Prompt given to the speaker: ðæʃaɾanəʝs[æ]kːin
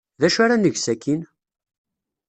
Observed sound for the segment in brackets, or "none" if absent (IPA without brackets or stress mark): æ